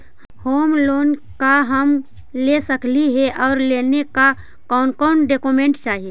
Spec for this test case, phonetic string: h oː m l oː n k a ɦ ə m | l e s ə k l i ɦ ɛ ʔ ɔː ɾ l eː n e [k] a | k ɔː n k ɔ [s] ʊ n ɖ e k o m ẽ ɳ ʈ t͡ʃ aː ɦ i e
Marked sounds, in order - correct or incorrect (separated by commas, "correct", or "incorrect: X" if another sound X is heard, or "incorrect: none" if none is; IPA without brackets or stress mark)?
correct, incorrect: none